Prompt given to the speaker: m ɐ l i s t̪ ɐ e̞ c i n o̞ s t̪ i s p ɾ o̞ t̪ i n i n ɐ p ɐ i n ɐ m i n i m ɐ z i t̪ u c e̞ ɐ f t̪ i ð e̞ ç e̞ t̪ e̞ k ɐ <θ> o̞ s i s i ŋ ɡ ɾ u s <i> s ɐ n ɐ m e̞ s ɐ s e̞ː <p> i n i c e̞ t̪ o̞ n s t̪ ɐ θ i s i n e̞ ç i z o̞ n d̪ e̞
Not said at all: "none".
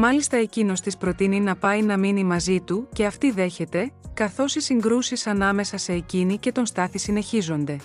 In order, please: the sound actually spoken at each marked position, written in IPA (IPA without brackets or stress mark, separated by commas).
θ, i, c